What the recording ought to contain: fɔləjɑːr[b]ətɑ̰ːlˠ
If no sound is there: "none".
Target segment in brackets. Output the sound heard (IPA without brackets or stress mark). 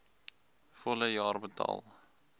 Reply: b